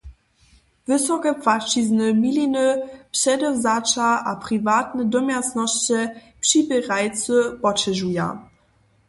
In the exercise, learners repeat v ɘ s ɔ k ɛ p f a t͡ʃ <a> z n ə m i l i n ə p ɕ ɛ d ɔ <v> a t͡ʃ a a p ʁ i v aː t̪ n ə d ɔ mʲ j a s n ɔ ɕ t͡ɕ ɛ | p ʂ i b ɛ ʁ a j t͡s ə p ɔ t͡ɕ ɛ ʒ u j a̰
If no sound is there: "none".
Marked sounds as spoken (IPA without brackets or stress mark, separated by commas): i, z